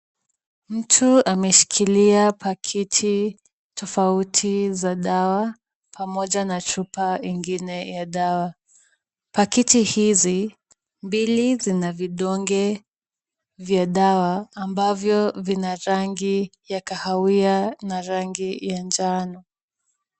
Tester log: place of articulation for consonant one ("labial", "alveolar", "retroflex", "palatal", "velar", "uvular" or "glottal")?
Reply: labial